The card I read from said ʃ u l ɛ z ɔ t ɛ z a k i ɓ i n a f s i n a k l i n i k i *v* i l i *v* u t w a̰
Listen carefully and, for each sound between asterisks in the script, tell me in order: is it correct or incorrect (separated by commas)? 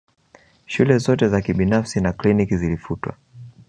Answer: incorrect, incorrect